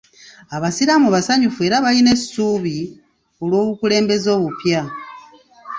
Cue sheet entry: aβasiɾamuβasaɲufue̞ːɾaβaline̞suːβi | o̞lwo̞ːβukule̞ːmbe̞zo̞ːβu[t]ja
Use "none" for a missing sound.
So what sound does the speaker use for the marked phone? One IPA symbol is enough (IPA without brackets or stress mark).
p